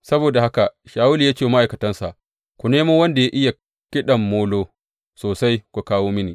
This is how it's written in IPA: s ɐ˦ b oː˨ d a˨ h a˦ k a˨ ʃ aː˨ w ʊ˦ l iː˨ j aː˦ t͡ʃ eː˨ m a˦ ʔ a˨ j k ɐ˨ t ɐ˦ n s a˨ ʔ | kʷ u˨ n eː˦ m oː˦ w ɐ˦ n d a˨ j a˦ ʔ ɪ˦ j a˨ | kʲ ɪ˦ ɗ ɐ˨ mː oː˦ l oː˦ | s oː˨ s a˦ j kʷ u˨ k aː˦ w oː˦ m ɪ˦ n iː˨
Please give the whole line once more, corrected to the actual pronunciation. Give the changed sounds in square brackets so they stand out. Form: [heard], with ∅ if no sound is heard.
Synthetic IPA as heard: s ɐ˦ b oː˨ d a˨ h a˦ k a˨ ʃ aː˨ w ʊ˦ l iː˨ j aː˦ t͡ʃ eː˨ m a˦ ʔ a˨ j k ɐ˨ t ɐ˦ n s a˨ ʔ | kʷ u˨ n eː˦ m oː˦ w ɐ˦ n d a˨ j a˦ ʔ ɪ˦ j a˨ | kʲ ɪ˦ ɗ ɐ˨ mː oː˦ l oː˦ | s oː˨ s a˦ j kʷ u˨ k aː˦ w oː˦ m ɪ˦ n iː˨